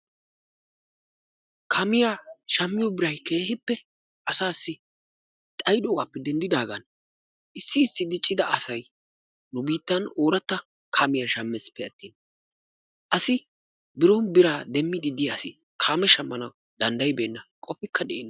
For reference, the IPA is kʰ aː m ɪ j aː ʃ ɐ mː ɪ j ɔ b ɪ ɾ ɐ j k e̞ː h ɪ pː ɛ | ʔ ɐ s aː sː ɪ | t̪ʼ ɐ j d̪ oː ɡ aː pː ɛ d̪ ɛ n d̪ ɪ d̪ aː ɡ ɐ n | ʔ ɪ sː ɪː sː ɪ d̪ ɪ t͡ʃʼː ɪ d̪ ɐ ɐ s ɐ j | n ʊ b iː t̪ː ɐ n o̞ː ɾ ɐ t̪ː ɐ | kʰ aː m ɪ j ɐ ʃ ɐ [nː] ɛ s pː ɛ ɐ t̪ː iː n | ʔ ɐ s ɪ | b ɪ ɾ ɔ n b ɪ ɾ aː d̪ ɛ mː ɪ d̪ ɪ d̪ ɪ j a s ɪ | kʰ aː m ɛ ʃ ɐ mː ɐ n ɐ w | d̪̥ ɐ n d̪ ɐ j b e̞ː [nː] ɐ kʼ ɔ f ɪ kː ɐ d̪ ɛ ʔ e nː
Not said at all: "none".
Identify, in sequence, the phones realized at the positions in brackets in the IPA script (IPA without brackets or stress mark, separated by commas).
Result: mː, nː